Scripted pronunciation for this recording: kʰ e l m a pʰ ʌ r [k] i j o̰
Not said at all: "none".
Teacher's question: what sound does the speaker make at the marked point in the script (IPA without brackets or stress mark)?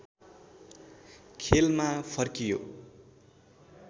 k